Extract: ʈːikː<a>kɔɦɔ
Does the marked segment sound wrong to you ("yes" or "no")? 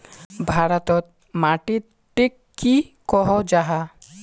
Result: yes